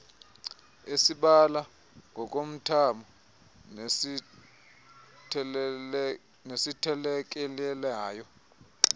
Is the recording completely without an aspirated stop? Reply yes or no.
no